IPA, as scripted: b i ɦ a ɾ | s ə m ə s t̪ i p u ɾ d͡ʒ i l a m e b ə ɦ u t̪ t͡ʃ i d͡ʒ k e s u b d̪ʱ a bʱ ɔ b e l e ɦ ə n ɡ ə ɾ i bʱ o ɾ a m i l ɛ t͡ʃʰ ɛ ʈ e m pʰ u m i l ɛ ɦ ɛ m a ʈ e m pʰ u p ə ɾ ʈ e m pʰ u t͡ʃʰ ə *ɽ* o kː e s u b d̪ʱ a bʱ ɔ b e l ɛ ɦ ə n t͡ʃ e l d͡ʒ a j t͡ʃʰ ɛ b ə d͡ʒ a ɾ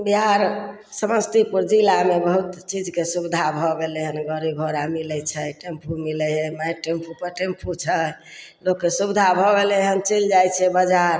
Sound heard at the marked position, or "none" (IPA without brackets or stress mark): l